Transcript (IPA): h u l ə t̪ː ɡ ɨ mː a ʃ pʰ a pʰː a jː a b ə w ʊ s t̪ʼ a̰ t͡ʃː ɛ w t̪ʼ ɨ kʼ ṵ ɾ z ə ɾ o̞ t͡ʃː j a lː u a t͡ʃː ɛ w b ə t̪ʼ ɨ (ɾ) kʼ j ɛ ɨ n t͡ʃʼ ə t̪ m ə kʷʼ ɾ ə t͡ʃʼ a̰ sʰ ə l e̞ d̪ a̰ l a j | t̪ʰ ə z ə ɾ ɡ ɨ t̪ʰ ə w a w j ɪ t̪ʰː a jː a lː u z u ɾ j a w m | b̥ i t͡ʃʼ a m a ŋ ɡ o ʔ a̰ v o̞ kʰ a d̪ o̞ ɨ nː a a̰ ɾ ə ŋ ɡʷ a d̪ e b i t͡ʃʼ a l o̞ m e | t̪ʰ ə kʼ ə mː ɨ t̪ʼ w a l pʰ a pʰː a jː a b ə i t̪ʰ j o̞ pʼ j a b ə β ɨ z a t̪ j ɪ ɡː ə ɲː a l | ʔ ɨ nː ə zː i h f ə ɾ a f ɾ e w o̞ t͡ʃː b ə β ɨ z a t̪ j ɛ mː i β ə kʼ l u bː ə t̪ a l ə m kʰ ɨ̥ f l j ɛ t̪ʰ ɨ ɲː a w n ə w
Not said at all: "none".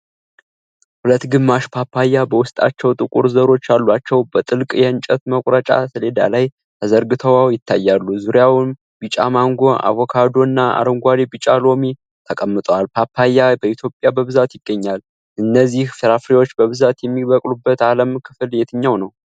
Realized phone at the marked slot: l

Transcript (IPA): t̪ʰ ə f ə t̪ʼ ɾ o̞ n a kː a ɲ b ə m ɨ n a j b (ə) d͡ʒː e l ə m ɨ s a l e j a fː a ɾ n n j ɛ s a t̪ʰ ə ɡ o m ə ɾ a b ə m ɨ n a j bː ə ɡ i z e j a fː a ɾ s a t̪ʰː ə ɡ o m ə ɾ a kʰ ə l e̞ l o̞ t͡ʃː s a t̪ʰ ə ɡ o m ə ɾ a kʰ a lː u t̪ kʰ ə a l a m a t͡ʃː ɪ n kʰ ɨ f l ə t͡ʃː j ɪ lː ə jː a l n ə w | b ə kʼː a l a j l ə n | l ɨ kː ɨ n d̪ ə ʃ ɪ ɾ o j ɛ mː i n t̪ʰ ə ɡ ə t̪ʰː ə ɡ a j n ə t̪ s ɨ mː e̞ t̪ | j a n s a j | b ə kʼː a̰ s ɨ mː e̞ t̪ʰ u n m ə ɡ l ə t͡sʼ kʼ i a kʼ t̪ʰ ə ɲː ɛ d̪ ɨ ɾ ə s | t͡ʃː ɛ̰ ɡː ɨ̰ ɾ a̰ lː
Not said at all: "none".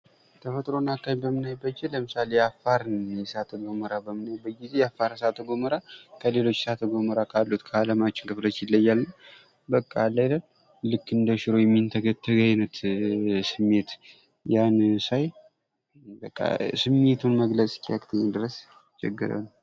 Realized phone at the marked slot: ə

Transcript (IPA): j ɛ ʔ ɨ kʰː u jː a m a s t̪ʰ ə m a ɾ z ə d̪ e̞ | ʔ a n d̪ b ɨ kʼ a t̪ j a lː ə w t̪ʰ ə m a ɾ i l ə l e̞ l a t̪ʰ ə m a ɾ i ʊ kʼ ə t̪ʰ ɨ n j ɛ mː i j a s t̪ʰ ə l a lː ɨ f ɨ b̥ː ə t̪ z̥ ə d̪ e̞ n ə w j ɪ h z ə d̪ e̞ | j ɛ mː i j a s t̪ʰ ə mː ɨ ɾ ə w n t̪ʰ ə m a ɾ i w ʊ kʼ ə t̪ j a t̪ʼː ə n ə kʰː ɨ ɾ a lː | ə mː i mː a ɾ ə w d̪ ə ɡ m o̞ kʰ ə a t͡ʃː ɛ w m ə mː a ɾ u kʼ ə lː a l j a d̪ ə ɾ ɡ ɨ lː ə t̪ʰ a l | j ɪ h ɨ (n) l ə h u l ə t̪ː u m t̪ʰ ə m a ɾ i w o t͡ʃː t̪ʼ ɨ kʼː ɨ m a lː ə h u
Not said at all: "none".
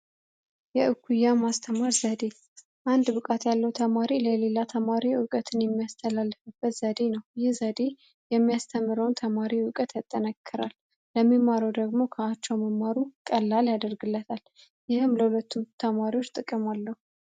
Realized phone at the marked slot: m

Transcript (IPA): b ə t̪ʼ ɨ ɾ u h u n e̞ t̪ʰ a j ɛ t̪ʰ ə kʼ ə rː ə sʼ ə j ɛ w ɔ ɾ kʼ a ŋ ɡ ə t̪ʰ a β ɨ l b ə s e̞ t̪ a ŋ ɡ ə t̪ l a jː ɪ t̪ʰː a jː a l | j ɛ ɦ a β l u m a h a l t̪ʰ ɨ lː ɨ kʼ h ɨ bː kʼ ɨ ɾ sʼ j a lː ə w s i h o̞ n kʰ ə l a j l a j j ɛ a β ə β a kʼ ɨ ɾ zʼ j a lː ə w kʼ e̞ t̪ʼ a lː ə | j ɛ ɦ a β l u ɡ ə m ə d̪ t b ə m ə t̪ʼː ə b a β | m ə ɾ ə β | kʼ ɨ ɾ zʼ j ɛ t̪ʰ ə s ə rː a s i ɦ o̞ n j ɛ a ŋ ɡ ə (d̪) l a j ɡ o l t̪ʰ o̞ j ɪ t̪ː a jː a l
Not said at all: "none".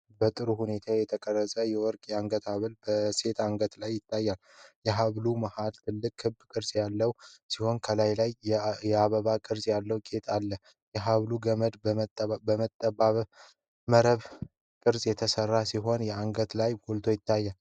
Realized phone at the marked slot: t̪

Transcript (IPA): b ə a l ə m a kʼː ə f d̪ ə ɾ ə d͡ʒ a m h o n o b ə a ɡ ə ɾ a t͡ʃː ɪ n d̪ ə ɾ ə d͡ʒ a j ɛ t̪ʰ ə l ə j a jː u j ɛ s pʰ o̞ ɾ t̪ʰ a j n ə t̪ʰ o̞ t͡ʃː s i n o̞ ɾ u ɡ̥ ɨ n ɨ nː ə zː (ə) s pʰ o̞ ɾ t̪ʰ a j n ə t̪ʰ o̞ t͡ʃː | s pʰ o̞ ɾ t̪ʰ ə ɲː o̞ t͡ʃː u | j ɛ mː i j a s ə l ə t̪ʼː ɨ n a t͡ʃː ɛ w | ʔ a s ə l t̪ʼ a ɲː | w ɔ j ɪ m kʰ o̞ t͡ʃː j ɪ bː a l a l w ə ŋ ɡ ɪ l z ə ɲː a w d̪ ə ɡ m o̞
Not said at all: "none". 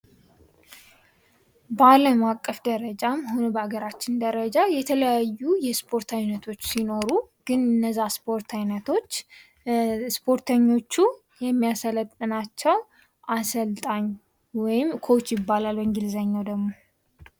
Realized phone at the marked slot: a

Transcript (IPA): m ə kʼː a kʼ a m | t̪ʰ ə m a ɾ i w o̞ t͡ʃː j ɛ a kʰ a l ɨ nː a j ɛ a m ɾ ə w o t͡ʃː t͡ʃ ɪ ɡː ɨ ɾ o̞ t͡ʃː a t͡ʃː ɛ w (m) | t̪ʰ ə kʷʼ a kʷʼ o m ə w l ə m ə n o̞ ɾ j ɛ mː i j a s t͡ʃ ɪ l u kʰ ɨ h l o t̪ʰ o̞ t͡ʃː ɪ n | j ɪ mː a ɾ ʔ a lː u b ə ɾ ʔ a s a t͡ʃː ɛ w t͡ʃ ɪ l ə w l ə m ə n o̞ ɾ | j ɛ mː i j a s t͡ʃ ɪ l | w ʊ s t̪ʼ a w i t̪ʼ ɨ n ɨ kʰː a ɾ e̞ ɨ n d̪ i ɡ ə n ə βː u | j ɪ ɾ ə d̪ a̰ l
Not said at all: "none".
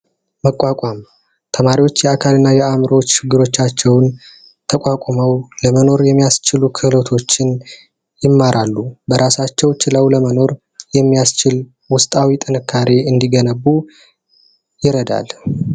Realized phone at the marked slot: n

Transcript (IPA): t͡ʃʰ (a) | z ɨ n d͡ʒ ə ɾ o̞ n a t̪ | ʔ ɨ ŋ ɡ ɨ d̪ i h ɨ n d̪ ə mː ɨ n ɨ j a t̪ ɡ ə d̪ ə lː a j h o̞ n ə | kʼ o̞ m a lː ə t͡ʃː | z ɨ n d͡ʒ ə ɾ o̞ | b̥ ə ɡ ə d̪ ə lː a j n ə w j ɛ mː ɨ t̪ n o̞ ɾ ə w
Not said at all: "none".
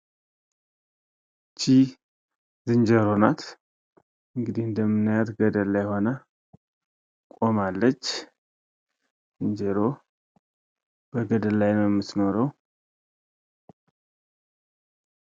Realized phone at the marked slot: i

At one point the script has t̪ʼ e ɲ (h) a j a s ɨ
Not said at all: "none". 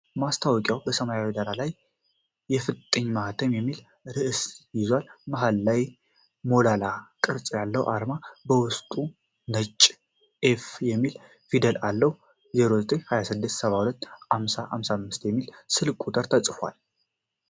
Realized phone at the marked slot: h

